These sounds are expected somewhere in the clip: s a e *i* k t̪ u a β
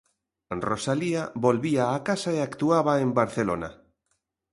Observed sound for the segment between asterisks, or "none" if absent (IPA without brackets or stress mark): a